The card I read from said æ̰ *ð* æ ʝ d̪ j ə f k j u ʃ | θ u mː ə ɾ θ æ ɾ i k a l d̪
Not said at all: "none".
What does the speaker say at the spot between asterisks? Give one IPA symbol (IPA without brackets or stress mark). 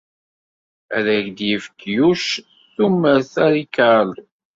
ð